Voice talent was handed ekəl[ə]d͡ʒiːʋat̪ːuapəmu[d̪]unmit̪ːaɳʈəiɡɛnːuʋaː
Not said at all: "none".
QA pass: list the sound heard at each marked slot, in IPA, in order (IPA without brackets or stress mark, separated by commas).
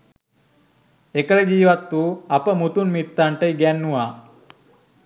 ə, t̪